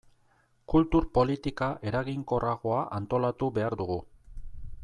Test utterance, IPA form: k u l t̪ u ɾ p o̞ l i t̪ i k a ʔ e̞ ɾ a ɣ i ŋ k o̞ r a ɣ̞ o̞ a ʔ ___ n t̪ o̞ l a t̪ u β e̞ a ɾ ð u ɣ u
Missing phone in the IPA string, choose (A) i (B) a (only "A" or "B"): B